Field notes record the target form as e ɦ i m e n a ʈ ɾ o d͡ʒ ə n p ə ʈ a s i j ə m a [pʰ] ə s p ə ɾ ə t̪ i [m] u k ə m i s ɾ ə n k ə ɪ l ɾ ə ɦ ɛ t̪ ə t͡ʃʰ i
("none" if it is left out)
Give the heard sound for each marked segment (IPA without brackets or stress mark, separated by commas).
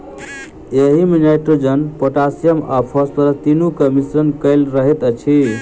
pʰ, n